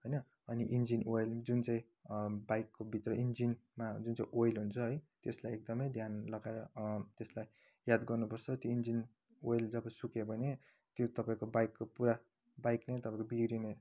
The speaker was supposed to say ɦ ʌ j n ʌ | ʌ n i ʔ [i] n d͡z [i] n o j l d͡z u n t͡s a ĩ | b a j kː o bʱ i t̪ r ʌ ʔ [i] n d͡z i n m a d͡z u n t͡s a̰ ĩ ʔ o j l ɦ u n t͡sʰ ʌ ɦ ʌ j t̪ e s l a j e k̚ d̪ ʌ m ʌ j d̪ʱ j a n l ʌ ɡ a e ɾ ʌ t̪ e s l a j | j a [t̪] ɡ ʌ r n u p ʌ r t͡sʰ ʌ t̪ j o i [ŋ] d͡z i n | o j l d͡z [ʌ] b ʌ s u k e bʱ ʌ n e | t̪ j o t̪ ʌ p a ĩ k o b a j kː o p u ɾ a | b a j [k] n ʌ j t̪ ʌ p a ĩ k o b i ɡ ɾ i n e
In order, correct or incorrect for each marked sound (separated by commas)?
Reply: correct, correct, correct, incorrect, incorrect, correct, correct